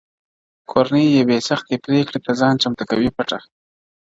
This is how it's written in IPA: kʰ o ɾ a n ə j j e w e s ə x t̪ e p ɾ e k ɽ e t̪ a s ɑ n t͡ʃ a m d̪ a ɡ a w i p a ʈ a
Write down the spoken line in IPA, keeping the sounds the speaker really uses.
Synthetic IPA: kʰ o ɾ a n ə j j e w e s a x t̪ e p ɾ e k ɽ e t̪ a z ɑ n t͡ʃ a m t̪ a k a w i p a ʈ a